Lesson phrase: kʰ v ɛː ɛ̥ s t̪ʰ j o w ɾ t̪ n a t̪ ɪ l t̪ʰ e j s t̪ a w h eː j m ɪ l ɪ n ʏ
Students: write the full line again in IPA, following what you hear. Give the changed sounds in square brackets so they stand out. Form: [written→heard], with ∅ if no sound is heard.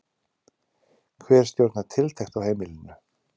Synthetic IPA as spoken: kʰ v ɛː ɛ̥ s [t̪ʰ→t̪] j o w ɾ t̪ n a [t̪→t̪ʰ] ɪ l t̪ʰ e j [s→x] t̪ a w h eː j m ɪ l ɪ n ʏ